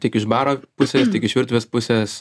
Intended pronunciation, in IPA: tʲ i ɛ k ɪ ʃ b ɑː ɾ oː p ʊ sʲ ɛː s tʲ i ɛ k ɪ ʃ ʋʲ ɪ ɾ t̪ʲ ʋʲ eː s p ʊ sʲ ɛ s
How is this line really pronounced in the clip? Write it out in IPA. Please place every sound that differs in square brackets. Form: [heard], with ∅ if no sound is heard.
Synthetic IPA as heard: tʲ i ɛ k ɪ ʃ b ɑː ɾ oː p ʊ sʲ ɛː s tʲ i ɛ k ɪ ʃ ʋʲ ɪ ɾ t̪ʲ ʋʲ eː s p ʊ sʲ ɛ s